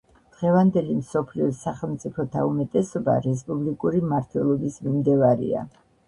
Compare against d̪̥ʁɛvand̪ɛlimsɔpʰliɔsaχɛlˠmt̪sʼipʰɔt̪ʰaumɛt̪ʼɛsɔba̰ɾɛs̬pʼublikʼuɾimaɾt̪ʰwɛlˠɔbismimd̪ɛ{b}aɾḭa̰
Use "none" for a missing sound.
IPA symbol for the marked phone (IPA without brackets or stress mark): v